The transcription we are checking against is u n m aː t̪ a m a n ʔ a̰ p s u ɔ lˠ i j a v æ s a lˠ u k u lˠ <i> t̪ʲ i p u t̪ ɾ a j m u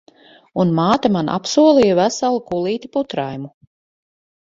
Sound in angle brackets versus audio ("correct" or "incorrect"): incorrect